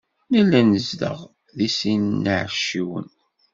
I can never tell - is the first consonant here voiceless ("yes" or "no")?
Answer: no